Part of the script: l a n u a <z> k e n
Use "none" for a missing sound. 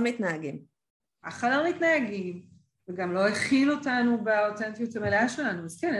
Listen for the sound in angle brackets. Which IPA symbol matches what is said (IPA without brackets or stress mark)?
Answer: z